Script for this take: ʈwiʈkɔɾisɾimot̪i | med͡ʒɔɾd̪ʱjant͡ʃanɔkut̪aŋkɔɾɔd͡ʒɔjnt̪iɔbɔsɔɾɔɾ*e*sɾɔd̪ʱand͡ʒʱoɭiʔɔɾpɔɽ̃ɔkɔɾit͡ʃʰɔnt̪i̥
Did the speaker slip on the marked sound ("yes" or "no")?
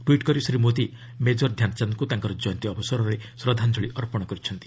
no